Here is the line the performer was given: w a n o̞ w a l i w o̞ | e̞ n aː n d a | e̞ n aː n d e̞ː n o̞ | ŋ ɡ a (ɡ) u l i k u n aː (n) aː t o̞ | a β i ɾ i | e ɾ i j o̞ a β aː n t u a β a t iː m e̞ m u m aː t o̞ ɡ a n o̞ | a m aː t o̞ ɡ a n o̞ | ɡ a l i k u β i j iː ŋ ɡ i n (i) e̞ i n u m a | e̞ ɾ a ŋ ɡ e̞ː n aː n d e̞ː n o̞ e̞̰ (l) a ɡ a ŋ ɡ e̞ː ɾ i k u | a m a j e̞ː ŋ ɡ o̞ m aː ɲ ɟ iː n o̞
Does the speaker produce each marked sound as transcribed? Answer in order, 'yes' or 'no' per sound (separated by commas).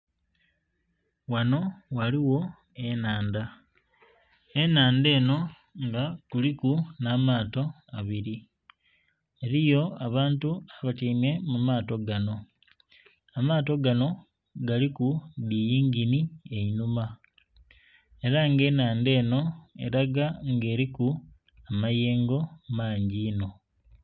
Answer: no, no, yes, no